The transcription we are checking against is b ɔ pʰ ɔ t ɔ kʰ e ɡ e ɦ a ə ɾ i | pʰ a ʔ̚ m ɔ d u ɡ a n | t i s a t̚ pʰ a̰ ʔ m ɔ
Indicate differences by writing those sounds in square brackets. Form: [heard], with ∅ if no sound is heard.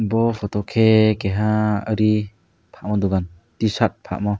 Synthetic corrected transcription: b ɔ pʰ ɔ t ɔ kʰ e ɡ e ɦ a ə ɾ i | pʰ a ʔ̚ m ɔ d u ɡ a n | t i s a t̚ pʰ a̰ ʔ m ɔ